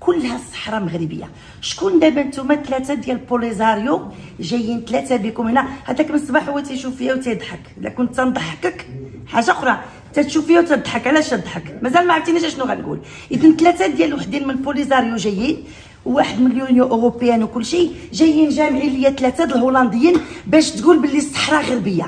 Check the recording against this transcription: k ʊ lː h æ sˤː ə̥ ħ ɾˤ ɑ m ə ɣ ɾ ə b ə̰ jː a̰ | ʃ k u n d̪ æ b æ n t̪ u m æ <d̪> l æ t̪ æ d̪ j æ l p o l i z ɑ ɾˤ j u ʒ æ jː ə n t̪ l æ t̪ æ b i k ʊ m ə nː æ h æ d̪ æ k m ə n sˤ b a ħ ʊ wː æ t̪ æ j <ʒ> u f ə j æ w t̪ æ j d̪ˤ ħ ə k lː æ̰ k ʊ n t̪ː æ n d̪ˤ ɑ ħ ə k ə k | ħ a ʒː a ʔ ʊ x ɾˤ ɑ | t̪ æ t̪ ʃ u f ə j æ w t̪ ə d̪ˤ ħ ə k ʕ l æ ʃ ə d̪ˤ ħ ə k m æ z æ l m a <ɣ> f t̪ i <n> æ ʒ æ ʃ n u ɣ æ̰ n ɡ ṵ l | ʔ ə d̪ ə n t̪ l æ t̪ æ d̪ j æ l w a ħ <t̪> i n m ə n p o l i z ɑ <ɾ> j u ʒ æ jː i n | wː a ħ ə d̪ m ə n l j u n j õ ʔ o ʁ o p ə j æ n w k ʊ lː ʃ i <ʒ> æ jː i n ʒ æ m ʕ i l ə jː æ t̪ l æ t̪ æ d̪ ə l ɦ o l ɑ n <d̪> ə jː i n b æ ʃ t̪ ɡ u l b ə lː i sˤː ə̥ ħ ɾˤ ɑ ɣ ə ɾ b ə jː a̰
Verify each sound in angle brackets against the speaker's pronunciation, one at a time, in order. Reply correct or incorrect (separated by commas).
incorrect, incorrect, incorrect, correct, incorrect, correct, correct, correct